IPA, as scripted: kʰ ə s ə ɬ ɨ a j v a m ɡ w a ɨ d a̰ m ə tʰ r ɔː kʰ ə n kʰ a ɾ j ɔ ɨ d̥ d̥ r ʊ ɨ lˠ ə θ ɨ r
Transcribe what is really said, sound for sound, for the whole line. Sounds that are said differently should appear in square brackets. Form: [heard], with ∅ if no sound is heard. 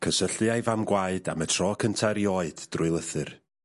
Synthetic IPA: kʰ ə s ə ɬ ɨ a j v a m ɡ w a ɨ d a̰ m ə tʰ r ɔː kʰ ə n [tʰ] a ɾ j ɔ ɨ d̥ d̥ r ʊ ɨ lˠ ə θ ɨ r